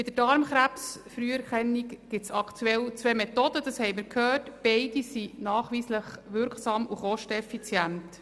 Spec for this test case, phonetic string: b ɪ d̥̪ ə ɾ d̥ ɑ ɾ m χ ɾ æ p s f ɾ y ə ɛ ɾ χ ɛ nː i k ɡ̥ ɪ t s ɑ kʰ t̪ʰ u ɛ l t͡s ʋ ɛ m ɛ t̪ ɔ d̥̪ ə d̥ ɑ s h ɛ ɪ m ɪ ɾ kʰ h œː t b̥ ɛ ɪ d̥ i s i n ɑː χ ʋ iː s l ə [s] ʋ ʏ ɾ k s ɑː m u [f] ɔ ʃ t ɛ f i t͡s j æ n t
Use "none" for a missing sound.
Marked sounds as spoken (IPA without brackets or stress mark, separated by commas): χ, χ